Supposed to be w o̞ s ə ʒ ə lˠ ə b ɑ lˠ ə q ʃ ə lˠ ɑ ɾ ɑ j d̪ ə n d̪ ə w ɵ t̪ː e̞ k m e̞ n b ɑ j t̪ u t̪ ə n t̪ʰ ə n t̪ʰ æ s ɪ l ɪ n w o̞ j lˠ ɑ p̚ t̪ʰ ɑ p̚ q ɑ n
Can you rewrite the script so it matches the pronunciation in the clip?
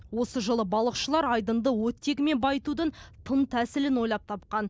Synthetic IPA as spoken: w o̞ s ə ʒ ə lˠ ə b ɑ lˠ ə q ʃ ə lˠ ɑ ɾ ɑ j d̪ ə n d̪ ə w ɵ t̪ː e̞ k m e̞ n b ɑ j t̪ u d̪ ə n t̪ʰ ə n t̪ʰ æ s ɪ l ɪ n w o̞ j lˠ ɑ p̚ t̪ʰ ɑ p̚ q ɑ n